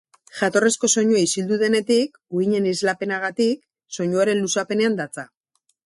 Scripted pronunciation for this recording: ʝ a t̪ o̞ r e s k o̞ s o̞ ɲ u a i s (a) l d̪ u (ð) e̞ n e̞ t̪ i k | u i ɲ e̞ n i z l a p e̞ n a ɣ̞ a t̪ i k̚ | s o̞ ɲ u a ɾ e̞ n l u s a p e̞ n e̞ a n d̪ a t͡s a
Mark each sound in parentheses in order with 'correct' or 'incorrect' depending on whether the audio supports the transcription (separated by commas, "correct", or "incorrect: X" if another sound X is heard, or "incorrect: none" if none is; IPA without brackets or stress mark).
incorrect: i, correct